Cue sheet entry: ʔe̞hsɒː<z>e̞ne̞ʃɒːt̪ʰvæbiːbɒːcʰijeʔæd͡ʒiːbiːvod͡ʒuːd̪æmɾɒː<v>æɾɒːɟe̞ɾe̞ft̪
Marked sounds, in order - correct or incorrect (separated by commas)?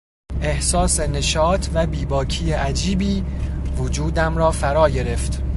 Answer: incorrect, incorrect